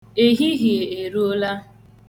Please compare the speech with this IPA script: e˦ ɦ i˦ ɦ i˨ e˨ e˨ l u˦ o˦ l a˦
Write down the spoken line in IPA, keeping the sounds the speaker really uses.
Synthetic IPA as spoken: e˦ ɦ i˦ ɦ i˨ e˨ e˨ ɾ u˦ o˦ l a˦